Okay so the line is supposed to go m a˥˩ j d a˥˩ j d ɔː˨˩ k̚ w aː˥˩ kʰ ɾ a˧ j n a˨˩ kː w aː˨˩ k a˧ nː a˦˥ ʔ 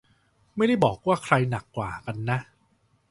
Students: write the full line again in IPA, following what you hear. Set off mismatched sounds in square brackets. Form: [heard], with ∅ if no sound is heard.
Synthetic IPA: m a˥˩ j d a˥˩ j [b] ɔː˨˩ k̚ w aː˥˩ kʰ ɾ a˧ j n a˨˩ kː w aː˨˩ k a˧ nː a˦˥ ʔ

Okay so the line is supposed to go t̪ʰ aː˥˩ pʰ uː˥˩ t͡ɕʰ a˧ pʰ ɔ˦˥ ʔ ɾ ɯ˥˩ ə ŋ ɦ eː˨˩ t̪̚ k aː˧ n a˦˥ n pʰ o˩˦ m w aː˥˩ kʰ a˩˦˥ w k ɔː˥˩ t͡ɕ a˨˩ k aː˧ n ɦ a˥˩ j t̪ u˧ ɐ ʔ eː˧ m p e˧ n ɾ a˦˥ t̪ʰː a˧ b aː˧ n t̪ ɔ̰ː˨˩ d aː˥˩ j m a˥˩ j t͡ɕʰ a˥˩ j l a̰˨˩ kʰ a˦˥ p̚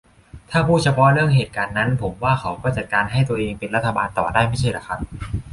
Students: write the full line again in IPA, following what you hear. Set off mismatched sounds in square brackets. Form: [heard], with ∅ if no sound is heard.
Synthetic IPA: t̪ʰ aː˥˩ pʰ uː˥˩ t͡ɕʰ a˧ pʰ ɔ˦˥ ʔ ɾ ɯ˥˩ ə ŋ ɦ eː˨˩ t̪̚ k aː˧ [nː] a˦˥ n pʰ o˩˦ m w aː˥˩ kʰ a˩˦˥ w k ɔː˥˩ t͡ɕ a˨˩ k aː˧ n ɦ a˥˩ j t̪ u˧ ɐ ʔ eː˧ [ŋ] p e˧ n ɾ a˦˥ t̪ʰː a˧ b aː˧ n t̪ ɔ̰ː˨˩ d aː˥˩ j m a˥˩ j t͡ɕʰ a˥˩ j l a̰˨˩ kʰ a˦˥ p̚

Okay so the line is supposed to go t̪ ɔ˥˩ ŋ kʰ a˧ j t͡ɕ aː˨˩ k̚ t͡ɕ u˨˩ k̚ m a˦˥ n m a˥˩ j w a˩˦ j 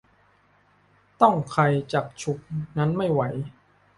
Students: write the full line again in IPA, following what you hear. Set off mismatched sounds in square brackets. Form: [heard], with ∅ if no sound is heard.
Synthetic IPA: t̪ ɔ˥˩ ŋ kʰ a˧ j t͡ɕ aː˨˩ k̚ [t͡ɕʰ] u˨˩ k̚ [n] a˦˥ n m a˥˩ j w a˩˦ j

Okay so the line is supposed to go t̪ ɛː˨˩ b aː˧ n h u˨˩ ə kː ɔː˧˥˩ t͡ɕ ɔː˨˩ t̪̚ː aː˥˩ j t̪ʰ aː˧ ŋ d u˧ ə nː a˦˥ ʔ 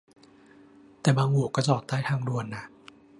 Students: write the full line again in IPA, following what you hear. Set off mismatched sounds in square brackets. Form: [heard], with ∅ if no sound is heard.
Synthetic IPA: t̪ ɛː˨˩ b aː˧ [ŋ] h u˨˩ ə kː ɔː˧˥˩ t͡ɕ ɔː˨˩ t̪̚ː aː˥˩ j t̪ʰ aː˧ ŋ d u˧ ə nː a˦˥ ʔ

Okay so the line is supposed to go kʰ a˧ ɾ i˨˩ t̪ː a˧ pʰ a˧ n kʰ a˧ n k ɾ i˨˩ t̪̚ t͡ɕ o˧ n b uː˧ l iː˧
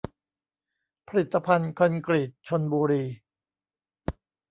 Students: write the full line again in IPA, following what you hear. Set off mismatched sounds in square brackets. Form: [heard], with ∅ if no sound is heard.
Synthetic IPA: [pʰ] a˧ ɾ i˨˩ t̪ː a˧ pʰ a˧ n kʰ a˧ n k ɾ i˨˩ t̪̚ [t͡ɕʰ] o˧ n b uː˧ [ɾ] iː˧

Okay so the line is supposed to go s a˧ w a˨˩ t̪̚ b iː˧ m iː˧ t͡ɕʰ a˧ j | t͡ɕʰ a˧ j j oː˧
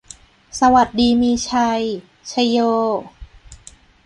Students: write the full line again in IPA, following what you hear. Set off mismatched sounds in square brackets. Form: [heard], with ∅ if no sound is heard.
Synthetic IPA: s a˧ w a˨˩ t̪̚ [d] iː˧ m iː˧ t͡ɕʰ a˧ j | t͡ɕʰ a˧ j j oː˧

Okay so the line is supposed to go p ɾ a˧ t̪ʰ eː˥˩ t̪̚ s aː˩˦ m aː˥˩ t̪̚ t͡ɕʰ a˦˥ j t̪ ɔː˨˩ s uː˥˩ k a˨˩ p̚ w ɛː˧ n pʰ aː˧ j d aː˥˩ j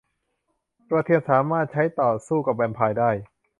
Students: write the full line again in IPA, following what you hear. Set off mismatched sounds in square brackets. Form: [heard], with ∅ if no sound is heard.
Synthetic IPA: p ɾ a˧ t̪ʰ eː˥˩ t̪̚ s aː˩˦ m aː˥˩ t̪̚ t͡ɕʰ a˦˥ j t̪ ɔː˨˩ s uː˥˩ k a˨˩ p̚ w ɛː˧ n pʰ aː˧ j d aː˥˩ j

